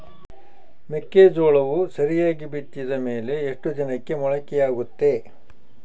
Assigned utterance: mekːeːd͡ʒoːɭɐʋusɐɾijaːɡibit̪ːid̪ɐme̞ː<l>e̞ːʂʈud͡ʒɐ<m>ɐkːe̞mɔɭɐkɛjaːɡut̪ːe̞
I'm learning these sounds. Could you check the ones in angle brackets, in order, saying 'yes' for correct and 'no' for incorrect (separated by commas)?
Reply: yes, no